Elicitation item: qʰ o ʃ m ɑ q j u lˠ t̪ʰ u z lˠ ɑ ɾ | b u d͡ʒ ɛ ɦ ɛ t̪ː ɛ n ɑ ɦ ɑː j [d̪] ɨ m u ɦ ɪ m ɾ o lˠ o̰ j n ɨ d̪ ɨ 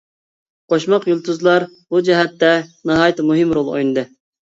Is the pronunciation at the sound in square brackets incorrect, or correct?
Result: incorrect